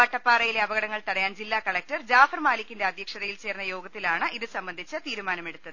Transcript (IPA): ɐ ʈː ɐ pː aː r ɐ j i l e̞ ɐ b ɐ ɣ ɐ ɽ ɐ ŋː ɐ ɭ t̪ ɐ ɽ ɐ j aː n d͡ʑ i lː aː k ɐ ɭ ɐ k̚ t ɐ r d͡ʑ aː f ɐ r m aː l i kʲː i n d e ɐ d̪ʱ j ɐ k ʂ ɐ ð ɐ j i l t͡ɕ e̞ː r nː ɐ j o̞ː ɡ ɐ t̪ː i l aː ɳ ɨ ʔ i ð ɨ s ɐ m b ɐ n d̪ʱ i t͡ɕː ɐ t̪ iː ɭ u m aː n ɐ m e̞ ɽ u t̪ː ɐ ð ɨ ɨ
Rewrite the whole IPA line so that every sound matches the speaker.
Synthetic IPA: ɐ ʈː ɐ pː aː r ɐ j i l e̞ ɐ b ɐ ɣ ɐ ɽ ɐ ŋː ɐ ɭ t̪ ɐ ɽ ɐ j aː n d͡ʑ i lː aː k ɐ ɭ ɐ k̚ t ɐ r d͡ʑ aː f ɐ r m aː l i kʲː i n d e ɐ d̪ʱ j ɐ k ʂ ɐ ð ɐ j i l t͡ɕ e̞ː r nː ɐ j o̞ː ɡ ɐ t̪ː i l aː ɳ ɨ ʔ i ð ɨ s ɐ m b ɐ n d̪ʱ i t͡ɕː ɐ t̪ iː ɾ u m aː n ɐ m e̞ ɽ u t̪ː ɐ ð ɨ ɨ